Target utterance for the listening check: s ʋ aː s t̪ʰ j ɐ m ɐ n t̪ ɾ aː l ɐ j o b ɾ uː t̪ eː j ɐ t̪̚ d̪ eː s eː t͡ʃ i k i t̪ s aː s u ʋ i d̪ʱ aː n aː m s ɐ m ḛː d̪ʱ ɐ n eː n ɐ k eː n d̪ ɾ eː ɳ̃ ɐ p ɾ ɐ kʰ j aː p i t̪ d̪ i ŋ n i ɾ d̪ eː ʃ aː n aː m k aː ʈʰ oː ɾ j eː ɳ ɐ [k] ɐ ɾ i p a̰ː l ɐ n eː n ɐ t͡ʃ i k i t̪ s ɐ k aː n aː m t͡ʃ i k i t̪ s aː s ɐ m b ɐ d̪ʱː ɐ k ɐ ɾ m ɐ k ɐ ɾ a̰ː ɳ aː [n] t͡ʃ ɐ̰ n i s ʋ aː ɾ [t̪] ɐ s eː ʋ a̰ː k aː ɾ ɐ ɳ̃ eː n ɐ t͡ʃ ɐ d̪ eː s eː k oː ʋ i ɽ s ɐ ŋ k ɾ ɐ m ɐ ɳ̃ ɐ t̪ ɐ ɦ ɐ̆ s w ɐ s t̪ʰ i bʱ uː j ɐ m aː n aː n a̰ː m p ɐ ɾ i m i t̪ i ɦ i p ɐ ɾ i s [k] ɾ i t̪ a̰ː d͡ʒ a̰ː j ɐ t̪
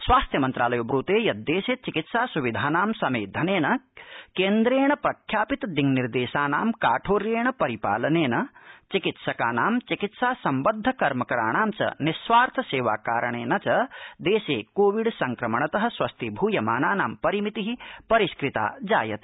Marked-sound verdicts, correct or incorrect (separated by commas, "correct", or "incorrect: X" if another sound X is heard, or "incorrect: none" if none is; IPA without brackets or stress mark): incorrect: p, incorrect: m, incorrect: t̪ʰ, correct